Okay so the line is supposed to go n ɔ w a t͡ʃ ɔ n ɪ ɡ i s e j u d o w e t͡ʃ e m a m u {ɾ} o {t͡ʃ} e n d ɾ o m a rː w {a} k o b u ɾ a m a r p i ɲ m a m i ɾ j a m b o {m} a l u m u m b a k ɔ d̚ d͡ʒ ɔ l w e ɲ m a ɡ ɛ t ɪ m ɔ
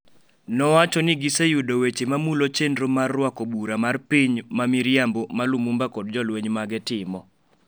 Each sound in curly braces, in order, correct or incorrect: incorrect: l, correct, correct, correct

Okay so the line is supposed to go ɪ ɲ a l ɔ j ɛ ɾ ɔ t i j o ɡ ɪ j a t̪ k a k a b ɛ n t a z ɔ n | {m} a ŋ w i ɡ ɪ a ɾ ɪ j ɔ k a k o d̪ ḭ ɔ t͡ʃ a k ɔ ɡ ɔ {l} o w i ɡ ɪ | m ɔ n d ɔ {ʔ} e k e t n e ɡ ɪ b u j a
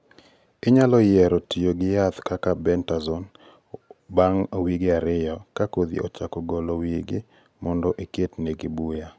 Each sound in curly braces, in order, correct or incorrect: incorrect: b, correct, correct

